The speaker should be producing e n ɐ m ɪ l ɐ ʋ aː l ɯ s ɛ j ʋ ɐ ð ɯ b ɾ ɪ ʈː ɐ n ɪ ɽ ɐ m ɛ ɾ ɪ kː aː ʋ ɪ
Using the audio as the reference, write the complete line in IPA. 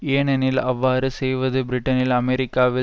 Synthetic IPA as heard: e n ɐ n ɪ l ɐ ʋː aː ɾ ɯ s ɛ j ʋ ɐ ð ɯ b ɾ ɪ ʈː ɐ n ɪ l ɐ m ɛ ɾ ɪ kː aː ʋ ɪ